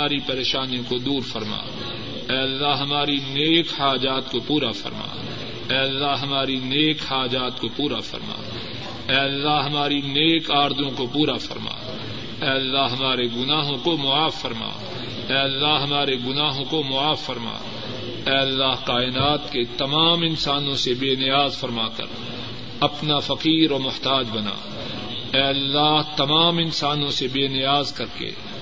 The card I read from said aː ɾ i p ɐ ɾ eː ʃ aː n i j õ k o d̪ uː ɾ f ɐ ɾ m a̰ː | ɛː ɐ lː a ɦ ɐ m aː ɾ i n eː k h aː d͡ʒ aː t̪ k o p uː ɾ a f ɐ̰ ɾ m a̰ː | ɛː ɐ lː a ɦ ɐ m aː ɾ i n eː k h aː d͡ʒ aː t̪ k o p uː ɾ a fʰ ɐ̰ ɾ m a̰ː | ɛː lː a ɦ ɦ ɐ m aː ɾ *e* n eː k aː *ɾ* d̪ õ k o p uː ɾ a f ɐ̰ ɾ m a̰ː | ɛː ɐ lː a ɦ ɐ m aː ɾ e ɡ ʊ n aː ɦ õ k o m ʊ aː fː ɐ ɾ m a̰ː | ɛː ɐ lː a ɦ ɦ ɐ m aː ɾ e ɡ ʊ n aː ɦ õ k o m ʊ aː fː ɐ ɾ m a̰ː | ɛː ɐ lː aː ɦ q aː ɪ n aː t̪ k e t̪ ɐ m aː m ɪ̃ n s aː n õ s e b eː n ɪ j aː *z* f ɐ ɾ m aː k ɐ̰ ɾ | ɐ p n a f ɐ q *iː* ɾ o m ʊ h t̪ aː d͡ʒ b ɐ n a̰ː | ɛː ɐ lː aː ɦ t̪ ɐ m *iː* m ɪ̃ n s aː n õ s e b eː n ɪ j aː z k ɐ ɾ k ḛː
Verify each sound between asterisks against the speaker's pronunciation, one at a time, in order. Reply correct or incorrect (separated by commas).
incorrect, correct, correct, correct, incorrect